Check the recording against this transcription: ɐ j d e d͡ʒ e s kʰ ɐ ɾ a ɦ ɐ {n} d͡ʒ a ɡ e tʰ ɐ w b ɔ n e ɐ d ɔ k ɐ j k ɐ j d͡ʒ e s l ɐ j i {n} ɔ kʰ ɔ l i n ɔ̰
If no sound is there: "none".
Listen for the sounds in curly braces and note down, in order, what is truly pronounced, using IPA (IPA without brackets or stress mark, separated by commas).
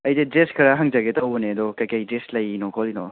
ŋ, n